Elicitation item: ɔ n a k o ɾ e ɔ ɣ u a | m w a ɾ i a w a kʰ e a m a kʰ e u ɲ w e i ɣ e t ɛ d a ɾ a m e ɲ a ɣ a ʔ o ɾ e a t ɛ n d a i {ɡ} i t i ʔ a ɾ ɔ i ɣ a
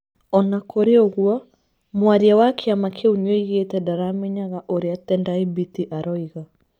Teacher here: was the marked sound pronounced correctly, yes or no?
no